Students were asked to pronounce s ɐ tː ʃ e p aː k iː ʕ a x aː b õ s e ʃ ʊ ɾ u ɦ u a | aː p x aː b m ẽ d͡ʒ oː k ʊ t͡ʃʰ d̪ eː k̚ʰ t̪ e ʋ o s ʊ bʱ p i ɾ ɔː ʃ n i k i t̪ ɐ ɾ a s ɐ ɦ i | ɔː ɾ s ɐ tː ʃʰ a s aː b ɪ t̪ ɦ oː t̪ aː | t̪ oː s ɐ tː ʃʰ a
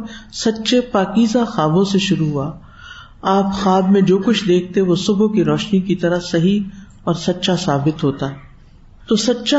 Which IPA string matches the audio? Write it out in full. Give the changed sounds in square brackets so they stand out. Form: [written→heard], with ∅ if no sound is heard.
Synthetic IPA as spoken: s ɐ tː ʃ e p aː k iː [ʕ→z] a x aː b õ s e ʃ ʊ ɾ u ɦ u a | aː p x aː b m ẽ d͡ʒ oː k ʊ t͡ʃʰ d̪ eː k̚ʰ t̪ e ʋ o s ʊ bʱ [p→k] i ɾ ɔː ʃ n i k i t̪ ɐ ɾ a s ɐ ɦ i | ɔː ɾ s ɐ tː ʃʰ a s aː b ɪ t̪ ɦ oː t̪ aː | t̪ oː s ɐ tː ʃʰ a